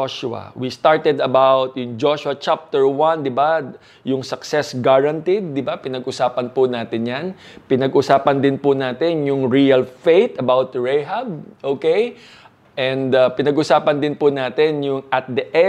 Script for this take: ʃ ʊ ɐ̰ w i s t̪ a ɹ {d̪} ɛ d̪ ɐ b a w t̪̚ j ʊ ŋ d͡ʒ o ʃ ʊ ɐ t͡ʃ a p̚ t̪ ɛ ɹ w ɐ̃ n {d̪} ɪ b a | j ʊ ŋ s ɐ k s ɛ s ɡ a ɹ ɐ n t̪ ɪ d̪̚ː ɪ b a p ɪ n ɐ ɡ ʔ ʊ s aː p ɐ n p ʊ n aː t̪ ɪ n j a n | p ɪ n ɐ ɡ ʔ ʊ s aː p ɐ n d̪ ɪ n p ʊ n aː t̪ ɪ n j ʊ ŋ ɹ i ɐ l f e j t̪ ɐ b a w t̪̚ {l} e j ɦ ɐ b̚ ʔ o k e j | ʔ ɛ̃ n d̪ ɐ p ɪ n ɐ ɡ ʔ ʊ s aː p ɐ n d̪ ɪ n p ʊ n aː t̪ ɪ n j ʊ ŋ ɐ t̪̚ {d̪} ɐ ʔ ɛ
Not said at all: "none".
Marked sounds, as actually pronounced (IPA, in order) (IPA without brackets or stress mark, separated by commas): t̪, d̪, ɹ, d̪